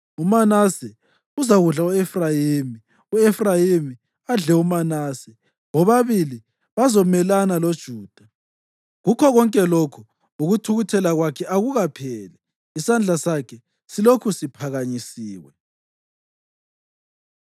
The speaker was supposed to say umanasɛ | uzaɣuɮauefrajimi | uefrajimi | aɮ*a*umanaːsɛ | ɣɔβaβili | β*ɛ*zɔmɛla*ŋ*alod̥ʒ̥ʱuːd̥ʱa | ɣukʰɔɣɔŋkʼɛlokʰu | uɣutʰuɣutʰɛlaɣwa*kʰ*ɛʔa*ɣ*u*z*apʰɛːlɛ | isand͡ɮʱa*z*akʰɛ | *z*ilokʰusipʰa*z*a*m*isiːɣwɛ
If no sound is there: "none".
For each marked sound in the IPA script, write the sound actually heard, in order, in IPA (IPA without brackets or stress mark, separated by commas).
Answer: ɛ, a, n, kʰ, ɣ, ɣ, s, s, ɣ, ɲ